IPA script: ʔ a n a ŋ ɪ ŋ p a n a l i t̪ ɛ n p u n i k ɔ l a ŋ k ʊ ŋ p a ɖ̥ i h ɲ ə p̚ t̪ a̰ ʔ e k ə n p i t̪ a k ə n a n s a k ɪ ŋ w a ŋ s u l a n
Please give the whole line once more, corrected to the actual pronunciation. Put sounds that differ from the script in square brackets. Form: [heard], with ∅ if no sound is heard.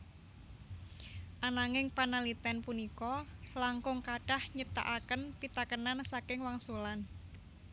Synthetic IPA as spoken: ʔ a n a ŋ ɪ ŋ p a n a l i t̪ ɛ n p u n i k ɔ l a ŋ k ʊ ŋ [k] a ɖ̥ [a] h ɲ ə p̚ t̪ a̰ ʔ [a] k ə n p i t̪ a k ə n a n s a k ɪ ŋ w a ŋ s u l a n